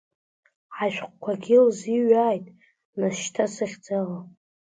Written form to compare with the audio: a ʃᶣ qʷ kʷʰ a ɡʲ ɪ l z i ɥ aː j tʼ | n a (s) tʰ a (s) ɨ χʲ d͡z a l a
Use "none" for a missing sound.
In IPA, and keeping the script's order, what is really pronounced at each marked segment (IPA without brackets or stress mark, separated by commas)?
ʃ, s